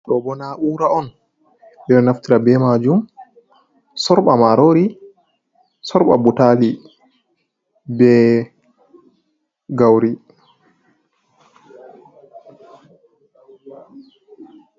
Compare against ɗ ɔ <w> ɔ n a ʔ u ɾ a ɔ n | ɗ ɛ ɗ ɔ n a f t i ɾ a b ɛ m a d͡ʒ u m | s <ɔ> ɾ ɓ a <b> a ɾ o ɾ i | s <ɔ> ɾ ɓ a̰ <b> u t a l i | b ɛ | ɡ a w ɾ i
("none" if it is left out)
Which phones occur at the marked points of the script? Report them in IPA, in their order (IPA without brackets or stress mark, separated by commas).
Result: b, ɔ, m, ɔ, b